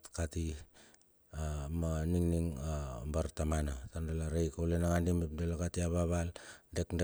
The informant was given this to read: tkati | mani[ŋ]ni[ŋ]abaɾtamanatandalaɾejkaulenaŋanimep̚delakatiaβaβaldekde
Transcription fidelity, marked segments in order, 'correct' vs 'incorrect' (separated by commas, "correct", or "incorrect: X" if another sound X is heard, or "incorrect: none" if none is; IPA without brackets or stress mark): correct, correct